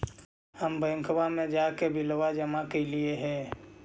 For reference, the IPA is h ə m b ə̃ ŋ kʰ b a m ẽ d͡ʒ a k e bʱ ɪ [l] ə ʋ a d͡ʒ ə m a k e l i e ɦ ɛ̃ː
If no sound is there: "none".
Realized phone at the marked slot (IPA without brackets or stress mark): l